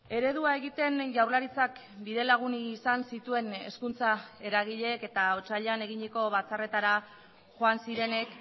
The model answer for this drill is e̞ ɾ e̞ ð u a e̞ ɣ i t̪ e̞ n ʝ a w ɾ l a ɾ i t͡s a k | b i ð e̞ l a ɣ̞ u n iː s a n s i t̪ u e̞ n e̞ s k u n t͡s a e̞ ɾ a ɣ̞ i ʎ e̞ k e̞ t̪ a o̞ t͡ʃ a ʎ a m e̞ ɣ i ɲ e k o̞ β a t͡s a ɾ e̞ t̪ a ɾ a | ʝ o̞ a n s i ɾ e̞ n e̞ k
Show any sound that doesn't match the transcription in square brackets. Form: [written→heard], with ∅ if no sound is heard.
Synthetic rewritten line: e̞ ɾ e̞ ð u a e̞ ɣ i t̪ e̞ n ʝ a w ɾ l a ɾ i t͡s a k | b i ð e̞ l a ɣ̞ u n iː s a n s i t̪ u e̞ n e̞ s k u n t͡s a e̞ ɾ a ɣ̞ i ʎ e̞ k e̞ t̪ a o̞ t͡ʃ a ʎ a [m→n] e̞ ɣ i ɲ e k o̞ β a t͡s a [ɾ→r] e̞ t̪ a ɾ a | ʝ o̞ a n s i ɾ e̞ n e̞ k